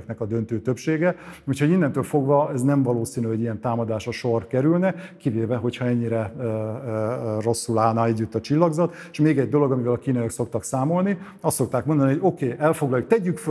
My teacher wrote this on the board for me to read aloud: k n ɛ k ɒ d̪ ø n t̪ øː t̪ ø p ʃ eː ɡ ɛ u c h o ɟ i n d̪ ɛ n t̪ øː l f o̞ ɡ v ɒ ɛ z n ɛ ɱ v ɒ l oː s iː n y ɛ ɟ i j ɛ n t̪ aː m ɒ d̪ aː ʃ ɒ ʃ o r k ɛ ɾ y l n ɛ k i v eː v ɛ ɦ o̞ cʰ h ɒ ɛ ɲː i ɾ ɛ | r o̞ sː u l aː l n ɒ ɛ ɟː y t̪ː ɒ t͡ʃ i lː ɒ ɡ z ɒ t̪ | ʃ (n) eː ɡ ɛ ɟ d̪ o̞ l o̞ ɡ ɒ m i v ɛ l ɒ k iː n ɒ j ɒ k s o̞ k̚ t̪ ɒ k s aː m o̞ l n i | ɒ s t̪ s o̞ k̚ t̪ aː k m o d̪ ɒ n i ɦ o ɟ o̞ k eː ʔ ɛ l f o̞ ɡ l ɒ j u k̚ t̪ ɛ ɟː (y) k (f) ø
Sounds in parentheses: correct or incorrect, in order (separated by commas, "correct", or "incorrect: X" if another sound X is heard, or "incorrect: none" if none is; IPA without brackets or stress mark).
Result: incorrect: m, correct, correct